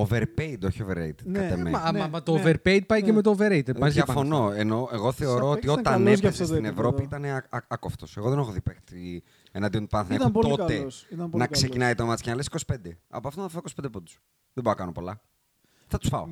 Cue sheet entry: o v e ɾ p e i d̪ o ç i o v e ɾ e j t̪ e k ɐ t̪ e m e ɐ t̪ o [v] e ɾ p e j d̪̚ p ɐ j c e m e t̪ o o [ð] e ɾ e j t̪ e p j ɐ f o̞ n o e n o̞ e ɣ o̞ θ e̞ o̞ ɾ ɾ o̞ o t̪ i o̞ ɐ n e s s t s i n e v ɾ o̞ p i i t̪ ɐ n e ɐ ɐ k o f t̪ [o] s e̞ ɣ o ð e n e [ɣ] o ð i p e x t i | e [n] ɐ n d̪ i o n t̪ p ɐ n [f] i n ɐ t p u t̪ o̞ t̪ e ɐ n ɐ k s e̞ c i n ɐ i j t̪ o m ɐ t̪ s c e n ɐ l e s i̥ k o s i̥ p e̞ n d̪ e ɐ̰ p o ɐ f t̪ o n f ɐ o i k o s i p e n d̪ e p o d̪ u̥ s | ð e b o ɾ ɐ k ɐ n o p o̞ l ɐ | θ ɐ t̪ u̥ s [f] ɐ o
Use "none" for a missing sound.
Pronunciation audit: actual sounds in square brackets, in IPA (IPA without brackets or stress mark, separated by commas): v, v, o, x, n, θ, f